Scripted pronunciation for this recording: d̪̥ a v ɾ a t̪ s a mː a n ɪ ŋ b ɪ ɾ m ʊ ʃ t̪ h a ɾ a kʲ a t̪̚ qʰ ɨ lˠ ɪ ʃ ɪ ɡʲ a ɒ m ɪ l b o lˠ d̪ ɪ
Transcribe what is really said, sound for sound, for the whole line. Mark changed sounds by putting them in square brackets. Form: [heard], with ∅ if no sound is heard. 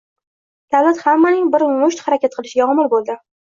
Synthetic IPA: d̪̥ a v [l] a t̪ [h] a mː a n ɪ ŋ b ɪ ɾ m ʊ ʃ t̪ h a ɾ a kʲ a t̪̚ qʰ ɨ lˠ ɪ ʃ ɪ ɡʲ a ɒ m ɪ l b o lˠ d̪ ɪ